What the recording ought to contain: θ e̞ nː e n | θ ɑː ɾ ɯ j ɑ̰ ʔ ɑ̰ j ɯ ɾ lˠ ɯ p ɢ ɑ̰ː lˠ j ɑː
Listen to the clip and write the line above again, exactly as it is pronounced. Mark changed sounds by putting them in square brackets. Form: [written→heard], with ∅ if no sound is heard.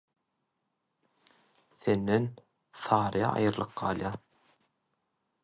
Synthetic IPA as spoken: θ e̞ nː e n | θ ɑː ɾ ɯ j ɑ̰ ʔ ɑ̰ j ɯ ɾ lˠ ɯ [p→q] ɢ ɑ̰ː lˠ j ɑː